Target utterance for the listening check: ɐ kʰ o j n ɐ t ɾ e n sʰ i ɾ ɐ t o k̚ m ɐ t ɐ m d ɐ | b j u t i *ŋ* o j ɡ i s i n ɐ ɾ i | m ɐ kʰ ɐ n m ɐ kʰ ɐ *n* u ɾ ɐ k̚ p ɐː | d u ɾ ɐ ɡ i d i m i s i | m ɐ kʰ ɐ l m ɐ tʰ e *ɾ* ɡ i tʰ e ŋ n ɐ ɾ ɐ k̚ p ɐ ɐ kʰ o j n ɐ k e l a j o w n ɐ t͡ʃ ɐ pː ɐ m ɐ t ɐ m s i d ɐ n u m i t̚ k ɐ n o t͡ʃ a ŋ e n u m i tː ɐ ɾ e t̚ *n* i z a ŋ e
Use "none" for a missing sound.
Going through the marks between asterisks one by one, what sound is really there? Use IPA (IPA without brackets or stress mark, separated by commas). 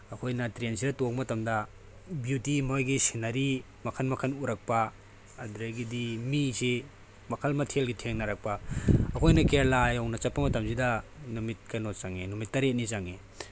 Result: m, n, l, n